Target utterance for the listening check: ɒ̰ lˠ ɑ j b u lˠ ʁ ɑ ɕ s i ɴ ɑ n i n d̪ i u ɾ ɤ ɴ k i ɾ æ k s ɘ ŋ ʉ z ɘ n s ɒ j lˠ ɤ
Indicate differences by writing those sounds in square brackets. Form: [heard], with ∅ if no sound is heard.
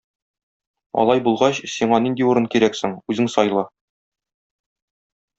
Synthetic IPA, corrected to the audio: ɒ̰ lˠ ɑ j b u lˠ ʁ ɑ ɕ s i ɴ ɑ n i n d̪ i u ɾ ɤ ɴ k i ɾ æ k s ɘ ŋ ʉ z ɘ [ŋ] s ɒ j lˠ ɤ